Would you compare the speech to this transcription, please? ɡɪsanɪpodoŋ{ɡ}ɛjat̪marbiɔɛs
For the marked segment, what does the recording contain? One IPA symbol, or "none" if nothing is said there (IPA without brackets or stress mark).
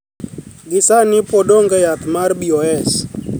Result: ɡ